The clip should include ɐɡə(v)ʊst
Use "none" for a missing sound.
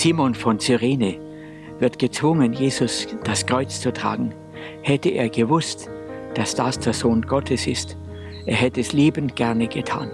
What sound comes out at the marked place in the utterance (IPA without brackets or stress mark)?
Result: v